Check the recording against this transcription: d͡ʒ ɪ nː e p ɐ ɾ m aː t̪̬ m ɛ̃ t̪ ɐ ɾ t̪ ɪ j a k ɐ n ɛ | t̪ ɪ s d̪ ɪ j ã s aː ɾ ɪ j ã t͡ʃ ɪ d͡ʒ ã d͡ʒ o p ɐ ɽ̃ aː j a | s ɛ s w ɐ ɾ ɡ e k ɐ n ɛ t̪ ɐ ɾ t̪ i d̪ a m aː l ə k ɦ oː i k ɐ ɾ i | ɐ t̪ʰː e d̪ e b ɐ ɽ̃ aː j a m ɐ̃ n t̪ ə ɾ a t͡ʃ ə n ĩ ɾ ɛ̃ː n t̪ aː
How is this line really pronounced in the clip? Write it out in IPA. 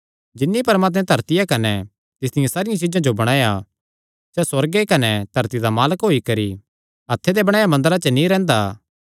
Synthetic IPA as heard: d͡ʒ ɪ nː i p ɐ ɾ m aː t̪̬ m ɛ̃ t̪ ɐ ɾ t̪ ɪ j a k ɐ n ɛ | t̪ ɪ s d̪ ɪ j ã s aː ɾ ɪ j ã t͡ʃ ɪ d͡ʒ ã d͡ʒ o b ɐ ɽ̃ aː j a | s ɛ s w ɐ ɾ ɡ e k ɐ n ɛ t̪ ɐ ɾ t̪ i d̪ a m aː l ə k ɦ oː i k ɐ ɾ i | ɐ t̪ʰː e d̪ e b ɐ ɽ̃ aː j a m ɐ̃ n d̪ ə ɾ a t͡ʃ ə n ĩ ɾ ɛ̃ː n d̪ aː